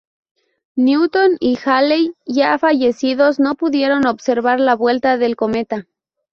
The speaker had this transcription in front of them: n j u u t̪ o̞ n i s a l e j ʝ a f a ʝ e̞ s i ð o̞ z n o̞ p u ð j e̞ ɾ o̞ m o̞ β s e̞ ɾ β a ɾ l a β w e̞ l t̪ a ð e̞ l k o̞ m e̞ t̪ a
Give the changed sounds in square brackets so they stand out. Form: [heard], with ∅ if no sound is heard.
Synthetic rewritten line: n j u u t̪ o̞ n i [x] a l e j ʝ a f a ʝ e̞ s i ð o̞ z n o̞ p u ð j e̞ ɾ o̞ [n] o̞ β s e̞ ɾ β a ɾ l a β w e̞ l t̪ a ð e̞ l k o̞ m e̞ t̪ a